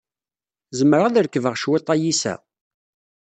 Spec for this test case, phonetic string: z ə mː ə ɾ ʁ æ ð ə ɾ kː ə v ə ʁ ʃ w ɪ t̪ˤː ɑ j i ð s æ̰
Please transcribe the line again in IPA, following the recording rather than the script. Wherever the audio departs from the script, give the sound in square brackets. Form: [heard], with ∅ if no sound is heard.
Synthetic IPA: z ə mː ə ɾ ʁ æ ð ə ɾ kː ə v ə ʁ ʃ w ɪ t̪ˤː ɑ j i [∅] s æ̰